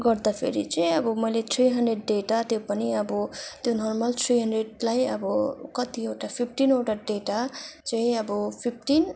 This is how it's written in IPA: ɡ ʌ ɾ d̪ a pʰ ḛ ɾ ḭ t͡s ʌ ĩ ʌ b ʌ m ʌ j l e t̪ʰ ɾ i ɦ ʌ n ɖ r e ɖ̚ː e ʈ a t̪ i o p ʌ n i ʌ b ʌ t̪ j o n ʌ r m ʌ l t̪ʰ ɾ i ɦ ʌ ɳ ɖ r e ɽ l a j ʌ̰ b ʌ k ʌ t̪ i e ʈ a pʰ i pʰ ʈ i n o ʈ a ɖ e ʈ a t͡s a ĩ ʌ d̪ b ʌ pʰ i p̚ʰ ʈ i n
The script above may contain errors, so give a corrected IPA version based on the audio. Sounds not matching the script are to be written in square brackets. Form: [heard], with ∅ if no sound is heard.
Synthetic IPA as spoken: ɡ ʌ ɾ d̪ a pʰ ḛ ɾ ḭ t͡s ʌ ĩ ʌ b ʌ m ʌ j l e t̪ʰ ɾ i ɦ ʌ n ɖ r e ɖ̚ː e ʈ a t̪ [j] o p ʌ n i ʌ b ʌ t̪ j o n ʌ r m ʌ l t̪ʰ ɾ i ɦ ʌ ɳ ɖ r e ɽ l a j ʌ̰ b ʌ k ʌ t̪ i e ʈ a pʰ i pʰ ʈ i n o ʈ a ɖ e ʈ a t͡s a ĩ ʌ [∅] b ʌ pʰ i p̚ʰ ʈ i n